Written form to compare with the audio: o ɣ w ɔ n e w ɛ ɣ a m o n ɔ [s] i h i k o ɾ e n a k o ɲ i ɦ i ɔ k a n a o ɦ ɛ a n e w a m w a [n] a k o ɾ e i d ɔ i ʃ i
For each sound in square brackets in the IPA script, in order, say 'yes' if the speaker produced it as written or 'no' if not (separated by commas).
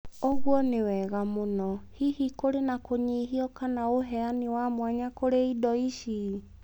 no, no